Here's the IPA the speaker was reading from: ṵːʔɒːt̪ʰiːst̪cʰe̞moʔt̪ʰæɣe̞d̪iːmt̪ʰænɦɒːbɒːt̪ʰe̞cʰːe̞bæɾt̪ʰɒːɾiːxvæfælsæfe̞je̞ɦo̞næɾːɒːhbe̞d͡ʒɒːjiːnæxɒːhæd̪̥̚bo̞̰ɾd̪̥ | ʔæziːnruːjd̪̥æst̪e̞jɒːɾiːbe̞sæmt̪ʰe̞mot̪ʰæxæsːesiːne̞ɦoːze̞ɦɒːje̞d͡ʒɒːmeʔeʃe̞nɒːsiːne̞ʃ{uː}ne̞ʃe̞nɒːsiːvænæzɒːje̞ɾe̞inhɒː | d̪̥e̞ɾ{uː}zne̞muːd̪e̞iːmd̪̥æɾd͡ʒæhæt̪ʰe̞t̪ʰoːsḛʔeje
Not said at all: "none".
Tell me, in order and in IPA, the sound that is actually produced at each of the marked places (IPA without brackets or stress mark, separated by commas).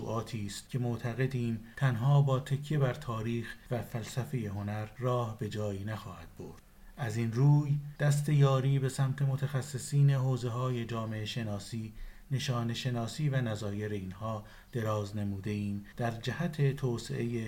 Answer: ɒː, ɒː